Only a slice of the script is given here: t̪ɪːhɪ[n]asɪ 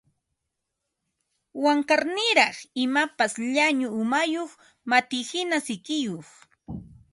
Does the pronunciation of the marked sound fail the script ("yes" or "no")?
no